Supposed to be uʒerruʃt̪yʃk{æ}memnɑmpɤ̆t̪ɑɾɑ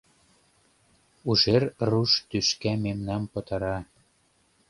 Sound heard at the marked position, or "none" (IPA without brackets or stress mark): æ